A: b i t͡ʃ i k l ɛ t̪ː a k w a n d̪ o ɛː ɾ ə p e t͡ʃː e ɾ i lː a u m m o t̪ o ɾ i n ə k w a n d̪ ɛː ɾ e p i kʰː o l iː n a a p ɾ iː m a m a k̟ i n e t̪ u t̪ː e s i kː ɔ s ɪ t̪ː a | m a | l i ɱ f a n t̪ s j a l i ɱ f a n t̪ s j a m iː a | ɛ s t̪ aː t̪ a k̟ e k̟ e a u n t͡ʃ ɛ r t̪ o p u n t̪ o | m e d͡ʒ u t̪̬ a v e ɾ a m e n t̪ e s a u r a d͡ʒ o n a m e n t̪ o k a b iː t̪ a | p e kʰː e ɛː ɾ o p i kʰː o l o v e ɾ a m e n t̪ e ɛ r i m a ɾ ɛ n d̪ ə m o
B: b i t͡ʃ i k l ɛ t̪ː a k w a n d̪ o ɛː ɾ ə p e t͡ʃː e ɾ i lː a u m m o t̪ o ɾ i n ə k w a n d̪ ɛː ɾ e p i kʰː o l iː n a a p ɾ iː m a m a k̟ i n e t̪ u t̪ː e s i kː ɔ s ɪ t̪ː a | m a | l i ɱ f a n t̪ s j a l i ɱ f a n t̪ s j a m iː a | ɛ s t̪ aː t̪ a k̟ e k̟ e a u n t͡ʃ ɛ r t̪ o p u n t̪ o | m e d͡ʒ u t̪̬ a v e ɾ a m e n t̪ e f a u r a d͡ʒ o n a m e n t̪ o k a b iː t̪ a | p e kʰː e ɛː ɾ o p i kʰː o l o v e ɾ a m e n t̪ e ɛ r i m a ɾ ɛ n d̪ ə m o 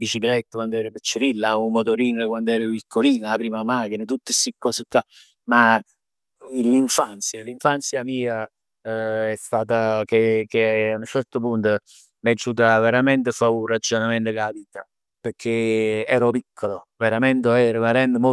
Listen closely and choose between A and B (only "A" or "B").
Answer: B